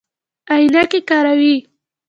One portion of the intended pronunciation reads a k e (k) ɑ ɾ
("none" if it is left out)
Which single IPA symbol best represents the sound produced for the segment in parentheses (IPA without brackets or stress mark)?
k